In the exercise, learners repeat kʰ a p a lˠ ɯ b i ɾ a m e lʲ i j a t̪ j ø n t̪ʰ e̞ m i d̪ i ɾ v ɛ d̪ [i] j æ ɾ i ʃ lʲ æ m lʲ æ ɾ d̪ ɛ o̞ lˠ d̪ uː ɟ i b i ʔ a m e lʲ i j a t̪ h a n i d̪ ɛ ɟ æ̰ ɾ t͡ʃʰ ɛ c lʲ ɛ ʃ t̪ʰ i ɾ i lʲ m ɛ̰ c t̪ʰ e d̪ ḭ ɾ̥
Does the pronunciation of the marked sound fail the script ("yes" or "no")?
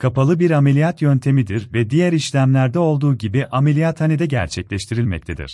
no